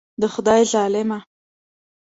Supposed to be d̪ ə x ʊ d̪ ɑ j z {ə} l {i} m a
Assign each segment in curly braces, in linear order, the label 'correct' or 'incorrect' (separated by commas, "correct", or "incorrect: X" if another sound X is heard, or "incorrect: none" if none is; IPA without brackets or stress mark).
incorrect: ɑ, incorrect: ɪ